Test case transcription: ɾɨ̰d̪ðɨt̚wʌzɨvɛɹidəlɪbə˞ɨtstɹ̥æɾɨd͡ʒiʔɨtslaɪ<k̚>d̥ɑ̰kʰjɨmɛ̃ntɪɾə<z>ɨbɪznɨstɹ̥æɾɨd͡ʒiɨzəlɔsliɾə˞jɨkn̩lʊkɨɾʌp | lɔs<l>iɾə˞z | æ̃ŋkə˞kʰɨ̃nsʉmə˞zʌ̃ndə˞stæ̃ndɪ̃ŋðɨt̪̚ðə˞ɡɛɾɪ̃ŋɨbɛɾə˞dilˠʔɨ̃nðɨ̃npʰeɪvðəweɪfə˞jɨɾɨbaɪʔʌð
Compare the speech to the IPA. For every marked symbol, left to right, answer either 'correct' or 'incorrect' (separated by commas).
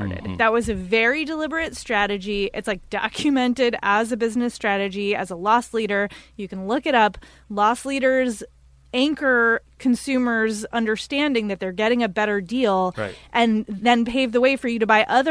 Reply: correct, correct, correct